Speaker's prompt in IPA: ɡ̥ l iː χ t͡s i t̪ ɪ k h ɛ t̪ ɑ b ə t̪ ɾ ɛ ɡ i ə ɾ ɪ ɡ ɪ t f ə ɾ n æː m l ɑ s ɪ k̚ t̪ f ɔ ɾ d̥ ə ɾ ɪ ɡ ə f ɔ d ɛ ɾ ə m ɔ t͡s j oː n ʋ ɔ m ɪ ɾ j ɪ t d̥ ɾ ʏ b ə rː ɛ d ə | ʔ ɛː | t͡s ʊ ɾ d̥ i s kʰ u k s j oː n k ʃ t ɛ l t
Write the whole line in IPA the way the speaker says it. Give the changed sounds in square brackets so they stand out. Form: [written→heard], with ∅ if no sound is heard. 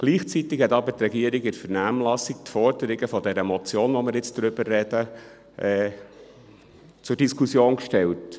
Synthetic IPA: ɡ̥ l iː χ t͡s i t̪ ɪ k h ɛ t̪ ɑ b ə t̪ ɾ ɛ ɡ i ə ɾ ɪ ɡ ɪ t f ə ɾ n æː m l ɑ s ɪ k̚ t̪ f ɔ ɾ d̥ ə ɾ ɪ ɡ ə f ɔ d ɛ ɾ ə m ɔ t͡s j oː n ʋ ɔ m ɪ ɾ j ɪ [t→t͡s] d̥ ɾ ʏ b ə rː ɛ d ə | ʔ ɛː | t͡s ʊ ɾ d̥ i s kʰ u [k→∅] s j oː n k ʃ t ɛ l t

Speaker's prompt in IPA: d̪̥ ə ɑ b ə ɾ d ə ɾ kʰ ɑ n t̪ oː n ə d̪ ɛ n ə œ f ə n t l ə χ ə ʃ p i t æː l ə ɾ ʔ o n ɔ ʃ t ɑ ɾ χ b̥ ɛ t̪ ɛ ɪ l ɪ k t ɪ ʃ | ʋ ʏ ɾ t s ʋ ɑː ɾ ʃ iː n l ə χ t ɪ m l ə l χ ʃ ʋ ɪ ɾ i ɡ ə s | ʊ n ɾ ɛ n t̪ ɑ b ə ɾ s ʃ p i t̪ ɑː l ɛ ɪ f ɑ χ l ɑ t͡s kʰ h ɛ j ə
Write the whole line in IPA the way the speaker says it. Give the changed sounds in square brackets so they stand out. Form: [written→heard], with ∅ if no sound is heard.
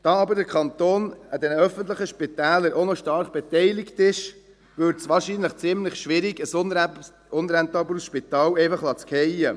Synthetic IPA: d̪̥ [ə→ɑ] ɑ b ə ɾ d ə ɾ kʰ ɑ n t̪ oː n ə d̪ ɛ n ə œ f ə n t l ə χ ə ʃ p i t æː l ə ɾ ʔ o n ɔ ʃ t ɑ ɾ χ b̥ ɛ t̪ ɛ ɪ l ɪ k t ɪ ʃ | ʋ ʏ ɾ t s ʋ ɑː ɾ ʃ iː n l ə χ [t→t͡s] ɪ m l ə [l→∅] χ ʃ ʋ ɪ ɾ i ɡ ə s | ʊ n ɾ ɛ n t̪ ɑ b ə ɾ s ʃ p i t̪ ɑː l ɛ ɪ f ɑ χ l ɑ t͡s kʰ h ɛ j ə

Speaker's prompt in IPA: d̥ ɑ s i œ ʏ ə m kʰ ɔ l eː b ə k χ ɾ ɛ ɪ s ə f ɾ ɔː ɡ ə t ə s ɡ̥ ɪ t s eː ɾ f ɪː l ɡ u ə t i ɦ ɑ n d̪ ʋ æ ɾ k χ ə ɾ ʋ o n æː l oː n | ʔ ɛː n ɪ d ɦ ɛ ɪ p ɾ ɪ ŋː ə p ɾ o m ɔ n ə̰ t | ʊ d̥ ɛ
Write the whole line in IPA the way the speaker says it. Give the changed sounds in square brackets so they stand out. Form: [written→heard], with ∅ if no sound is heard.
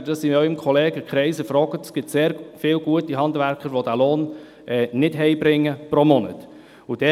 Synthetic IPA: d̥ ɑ s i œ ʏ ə m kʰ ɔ l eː [b→ɡ] ə k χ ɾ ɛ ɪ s ə f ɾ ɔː ɡ ə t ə s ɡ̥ ɪ t s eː ɾ f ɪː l ɡ u ə t i ɦ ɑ n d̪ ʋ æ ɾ k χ ə ɾ ʋ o [n→d] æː l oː n | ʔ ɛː n ɪ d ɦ ɛ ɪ [p→b] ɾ ɪ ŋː ə p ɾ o m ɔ n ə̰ t | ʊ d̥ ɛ

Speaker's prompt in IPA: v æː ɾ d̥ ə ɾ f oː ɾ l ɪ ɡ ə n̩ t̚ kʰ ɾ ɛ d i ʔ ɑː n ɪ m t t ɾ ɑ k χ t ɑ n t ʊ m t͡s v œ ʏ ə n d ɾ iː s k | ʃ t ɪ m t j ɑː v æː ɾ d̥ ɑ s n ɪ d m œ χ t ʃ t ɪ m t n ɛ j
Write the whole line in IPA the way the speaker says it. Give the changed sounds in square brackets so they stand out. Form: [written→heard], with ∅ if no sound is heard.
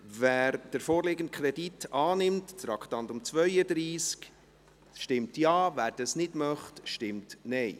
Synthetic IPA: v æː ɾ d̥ ə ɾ f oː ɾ l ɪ ɡ ə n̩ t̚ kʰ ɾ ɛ d i [ʔ→t] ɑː n ɪ m t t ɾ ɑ k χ t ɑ n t ʊ m t͡s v œ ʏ ə [n→∅] d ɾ iː s k | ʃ t ɪ m t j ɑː v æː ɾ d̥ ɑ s n ɪ d m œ χ t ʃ t ɪ m t n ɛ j

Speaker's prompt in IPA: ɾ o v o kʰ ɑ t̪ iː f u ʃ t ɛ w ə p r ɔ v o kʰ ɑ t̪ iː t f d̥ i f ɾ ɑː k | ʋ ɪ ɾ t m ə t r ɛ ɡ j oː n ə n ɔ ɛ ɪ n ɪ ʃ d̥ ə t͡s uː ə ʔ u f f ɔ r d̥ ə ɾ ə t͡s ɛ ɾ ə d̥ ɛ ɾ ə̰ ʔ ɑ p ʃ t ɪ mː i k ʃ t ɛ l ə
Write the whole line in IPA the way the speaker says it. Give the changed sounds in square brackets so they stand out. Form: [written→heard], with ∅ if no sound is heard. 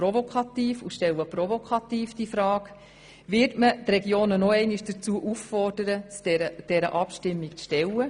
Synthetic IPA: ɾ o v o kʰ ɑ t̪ iː f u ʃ t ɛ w ə p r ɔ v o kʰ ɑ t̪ iː [t→∅] f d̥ i f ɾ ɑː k | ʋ ɪ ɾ t m ə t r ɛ ɡ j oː n ə n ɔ ɛ ɪ n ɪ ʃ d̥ ə t͡s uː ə ʔ u f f ɔ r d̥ ə ɾ ə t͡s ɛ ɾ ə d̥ ɛ ɾ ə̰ ʔ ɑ p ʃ t ɪ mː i k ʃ t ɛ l ə

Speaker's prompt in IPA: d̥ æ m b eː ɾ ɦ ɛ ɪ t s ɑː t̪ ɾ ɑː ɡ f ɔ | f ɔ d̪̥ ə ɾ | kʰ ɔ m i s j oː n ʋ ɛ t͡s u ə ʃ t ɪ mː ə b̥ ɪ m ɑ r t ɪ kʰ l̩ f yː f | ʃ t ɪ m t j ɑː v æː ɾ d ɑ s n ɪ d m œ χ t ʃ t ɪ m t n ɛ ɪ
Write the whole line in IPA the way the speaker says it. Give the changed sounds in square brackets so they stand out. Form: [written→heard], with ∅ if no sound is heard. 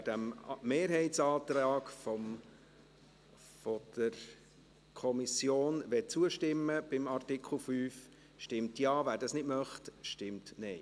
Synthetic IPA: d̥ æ m [b→m] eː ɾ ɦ ɛ ɪ t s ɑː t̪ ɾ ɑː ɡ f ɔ | f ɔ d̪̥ ə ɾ | kʰ ɔ m i s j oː n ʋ ɛ t͡s u ə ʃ t ɪ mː ə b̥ ɪ m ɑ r t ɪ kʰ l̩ f yː f | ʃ t ɪ m t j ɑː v æː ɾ d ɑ s n ɪ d m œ χ t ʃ t ɪ m t n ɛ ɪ

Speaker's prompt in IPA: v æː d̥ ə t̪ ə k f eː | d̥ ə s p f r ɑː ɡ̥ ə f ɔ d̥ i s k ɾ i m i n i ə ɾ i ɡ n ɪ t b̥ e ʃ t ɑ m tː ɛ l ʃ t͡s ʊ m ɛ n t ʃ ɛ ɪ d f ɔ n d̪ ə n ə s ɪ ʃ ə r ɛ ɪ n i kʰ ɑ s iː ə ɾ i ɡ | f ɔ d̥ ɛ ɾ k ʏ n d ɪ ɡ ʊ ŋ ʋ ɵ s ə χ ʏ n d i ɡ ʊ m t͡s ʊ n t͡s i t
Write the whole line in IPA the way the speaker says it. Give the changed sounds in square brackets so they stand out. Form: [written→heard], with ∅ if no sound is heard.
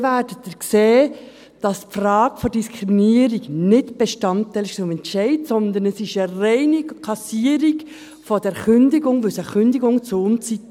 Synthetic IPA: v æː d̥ ə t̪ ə k [f→s] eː | d̥ [ə→ɑ] s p f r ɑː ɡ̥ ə f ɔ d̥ i s k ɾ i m i n i ə ɾ i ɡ n ɪ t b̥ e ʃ t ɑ [m→n] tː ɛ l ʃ t͡s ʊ m ɛ n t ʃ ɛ ɪ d [f→s] ɔ n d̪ ə n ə s ɪ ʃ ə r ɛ ɪ n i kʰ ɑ s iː ə ɾ i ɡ | f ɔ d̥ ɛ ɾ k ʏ n d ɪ ɡ ʊ ŋ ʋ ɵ s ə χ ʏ n d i ɡ ʊ [m→ŋ] t͡s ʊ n t͡s i t

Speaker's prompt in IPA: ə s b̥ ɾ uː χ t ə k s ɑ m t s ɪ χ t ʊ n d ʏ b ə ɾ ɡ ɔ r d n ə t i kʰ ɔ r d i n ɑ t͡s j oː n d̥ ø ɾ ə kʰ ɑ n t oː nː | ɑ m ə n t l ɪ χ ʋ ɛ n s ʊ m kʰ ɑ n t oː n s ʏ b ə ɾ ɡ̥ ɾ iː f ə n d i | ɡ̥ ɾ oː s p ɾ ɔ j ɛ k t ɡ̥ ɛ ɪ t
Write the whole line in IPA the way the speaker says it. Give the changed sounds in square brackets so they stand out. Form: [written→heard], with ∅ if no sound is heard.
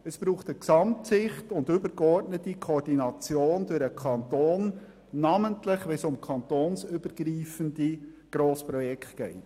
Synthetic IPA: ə s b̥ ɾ uː χ t ə k s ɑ m t s ɪ χ t ʊ n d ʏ b ə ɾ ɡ ɔ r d n ə t i kʰ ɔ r d i n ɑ t͡s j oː n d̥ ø ɾ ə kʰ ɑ n t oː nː | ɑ m ə n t l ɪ χ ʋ ɛ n s ʊ m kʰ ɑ n t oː n s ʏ b ə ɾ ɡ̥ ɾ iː f ə n d i | ɡ̥ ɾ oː s p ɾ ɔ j ɛ k t ɡ̥ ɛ ɪ t

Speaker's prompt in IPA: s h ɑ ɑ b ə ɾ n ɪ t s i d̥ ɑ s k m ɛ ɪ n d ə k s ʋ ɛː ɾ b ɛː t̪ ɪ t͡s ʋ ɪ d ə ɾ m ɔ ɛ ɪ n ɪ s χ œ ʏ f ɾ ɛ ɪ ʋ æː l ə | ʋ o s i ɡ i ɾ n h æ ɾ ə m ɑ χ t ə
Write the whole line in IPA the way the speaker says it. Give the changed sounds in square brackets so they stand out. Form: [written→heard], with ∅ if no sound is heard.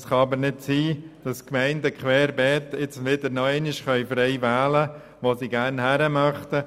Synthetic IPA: s [h→χ] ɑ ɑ b ə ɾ n ɪ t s [i→iː] d̥ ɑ s k m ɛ ɪ n d ə k [s→χ] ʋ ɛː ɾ b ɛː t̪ ɪ t͡s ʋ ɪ d ə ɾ [m→n] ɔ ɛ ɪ n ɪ [s→ʃ] χ œ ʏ f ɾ ɛ ɪ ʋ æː l ə | ʋ o s i ɡ [i→æ] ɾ n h æ ɾ ə m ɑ χ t ə

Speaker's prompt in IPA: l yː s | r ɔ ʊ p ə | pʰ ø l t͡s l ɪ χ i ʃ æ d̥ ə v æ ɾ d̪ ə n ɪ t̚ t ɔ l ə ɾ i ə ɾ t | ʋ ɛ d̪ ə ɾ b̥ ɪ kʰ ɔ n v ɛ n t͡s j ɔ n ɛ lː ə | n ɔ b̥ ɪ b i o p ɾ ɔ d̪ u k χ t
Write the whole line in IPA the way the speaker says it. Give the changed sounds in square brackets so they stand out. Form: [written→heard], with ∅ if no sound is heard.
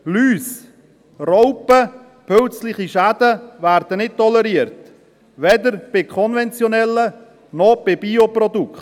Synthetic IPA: l yː s | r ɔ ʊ p ə | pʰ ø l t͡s l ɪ χ i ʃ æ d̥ ə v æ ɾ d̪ ə n ɪ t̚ t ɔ l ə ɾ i ə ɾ t | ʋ ɛ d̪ ə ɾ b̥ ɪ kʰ ɔ n v ɛ n t͡s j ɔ n ɛ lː ə | n ɔ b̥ ɪ b i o p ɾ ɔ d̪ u k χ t

